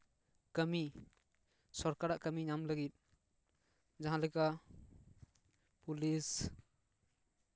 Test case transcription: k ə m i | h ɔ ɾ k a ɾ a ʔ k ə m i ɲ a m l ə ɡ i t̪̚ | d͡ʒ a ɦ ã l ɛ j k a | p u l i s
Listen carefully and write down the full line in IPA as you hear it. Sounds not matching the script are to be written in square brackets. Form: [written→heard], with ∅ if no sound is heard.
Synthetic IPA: k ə m i | [h→s] ɔ ɾ k a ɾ a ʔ k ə m i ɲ a m l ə ɡ i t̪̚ | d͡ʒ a ɦ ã l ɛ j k a | p u l i s